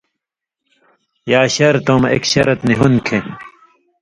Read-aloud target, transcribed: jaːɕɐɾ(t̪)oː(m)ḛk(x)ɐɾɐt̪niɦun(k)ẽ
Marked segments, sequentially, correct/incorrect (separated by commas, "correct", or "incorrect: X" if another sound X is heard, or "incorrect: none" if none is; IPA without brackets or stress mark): correct, correct, incorrect: ɕ, incorrect: kʰ